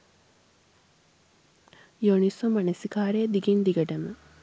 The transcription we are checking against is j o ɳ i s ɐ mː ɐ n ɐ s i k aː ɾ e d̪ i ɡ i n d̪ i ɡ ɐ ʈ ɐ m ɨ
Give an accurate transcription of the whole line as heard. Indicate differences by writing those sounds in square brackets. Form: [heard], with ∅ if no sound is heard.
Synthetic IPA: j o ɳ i s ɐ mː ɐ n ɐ s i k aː ɾ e d̪ i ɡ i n d̪ i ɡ ɐ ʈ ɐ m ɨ